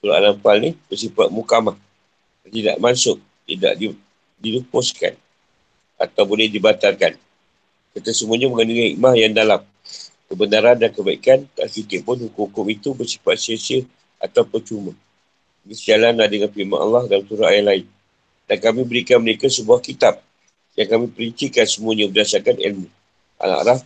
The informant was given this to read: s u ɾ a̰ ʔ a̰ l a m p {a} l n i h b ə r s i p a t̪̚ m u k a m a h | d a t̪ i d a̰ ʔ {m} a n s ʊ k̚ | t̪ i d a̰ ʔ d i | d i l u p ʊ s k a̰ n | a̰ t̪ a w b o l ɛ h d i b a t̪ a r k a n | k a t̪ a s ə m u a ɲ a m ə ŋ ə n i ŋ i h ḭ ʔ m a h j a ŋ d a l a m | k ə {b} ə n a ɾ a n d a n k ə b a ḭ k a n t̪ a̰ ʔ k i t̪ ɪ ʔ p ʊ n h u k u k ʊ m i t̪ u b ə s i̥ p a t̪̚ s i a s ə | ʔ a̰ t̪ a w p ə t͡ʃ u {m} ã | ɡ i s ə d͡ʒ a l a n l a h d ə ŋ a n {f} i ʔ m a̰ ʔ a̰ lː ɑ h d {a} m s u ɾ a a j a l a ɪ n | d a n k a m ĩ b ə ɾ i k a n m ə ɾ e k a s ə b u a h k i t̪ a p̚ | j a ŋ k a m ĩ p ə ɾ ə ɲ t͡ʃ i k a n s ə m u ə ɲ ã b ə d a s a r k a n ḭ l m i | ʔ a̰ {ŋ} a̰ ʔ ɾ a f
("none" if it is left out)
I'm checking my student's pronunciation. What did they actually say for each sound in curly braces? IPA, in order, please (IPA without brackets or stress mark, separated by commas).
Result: a, m, b, m, f, a, n